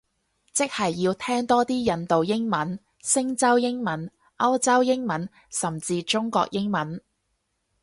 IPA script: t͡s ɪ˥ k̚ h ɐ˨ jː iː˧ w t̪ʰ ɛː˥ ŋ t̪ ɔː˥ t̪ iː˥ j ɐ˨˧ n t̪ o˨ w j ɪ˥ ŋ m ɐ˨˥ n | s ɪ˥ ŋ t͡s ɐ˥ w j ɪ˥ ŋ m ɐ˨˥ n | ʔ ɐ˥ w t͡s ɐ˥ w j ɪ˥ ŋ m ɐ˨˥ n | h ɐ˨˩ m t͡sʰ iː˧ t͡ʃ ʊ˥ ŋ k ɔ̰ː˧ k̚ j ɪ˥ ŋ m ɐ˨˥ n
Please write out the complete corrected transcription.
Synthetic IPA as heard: t͡s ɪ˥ k̚ h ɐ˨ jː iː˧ w t̪ʰ ɛː˥ ŋ t̪ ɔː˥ t̪ iː˥ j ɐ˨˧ n t̪ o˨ w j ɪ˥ ŋ m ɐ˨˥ n | s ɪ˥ ŋ t͡s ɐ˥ w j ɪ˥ ŋ m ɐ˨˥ n | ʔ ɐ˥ w t͡s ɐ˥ w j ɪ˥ ŋ m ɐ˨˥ n | s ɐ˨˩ m t͡s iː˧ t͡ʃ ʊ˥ ŋ k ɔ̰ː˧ k̚ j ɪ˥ ŋ m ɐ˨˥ n